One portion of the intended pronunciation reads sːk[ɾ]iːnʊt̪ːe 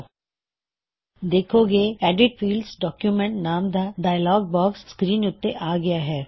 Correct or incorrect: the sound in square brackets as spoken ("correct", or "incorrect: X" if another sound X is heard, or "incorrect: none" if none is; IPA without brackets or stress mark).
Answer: correct